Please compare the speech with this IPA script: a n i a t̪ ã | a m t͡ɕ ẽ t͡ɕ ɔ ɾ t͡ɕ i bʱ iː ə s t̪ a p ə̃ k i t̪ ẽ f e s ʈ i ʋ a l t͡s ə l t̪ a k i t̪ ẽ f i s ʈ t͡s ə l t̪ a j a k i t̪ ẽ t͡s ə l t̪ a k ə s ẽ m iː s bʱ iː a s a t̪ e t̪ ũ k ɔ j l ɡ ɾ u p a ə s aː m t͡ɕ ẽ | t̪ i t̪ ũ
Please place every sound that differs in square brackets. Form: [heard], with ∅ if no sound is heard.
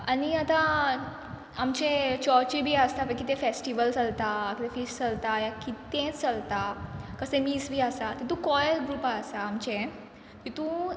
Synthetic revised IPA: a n i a t̪ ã | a m t͡ɕ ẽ t͡ɕ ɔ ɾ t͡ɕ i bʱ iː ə s t̪ a p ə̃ k i t̪ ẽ f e s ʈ i ʋ [ə] l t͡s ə l t̪ a k i t̪ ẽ f i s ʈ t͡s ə l t̪ a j a k i t̪ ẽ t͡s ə l t̪ a k ə s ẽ m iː s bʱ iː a s a t̪ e t̪ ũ k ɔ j l ɡ ɾ u p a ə s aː m t͡ɕ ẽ | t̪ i t̪ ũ